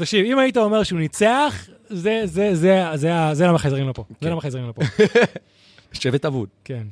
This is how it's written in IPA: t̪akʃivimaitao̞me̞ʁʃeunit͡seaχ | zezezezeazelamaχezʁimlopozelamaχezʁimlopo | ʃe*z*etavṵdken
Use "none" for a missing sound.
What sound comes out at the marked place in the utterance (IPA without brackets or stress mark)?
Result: v